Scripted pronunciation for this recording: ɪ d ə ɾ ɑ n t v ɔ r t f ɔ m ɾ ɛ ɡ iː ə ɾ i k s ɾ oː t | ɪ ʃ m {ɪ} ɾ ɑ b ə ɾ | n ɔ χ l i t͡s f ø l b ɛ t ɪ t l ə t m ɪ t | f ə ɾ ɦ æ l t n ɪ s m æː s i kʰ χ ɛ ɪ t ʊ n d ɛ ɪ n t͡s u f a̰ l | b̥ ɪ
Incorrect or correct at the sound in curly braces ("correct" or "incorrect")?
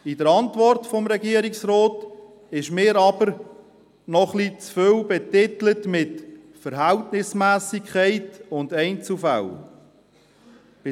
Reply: incorrect